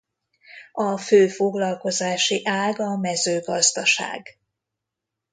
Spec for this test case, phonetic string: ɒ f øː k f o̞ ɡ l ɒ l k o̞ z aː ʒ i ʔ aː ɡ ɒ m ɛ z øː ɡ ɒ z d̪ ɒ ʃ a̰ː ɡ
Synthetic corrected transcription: ɒ f øː f o̞ ɡ l ɒ l k o̞ z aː ʃ i ʔ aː ɡ ɒ m ɛ z øː ɡ ɒ z d̪ ɒ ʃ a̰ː ɡ